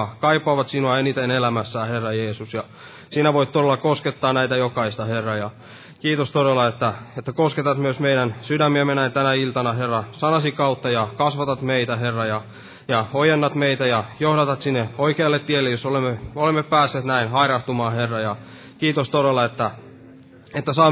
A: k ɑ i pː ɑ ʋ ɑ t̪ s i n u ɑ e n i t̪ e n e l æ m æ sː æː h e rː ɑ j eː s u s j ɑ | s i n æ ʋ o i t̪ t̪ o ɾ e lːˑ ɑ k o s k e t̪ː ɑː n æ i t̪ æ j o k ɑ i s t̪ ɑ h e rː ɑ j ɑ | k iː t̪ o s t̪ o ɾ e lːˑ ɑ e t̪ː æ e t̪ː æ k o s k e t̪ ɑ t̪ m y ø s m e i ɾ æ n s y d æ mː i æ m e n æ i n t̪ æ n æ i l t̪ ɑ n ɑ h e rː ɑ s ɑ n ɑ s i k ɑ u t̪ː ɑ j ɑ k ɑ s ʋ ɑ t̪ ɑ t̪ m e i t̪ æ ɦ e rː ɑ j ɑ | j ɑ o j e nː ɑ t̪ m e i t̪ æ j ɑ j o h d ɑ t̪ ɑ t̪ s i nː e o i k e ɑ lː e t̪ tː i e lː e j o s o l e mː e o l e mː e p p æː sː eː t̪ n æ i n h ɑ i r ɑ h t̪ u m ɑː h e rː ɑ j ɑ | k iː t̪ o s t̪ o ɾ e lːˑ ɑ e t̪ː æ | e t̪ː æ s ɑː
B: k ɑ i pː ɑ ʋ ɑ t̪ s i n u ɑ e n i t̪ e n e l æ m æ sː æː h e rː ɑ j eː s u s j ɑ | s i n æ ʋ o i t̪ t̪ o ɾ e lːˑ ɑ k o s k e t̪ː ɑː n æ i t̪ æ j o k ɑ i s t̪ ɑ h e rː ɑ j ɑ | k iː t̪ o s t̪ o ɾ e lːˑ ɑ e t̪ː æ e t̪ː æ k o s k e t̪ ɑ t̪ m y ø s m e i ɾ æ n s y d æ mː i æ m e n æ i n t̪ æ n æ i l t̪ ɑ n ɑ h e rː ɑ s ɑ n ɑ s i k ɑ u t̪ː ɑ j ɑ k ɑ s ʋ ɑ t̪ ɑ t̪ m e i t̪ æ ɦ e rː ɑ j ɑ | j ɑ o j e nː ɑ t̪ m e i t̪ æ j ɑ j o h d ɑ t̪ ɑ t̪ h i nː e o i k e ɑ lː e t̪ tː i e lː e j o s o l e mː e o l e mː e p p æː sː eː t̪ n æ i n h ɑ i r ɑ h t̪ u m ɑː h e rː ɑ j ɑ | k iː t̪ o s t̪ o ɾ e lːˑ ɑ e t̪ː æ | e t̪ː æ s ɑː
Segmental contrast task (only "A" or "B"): A